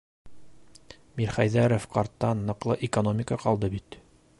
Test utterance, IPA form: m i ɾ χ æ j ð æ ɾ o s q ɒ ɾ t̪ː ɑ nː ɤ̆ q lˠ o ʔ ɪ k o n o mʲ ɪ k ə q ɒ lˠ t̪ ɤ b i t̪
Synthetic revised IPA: m i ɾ χ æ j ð æ ɾ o f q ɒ ɾ t̪ː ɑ nː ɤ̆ q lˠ ɤ ʔ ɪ k o n o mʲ ɪ k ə q ɒ lˠ d̪ ɤ b i t̪